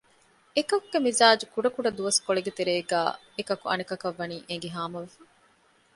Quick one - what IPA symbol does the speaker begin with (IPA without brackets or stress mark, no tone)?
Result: e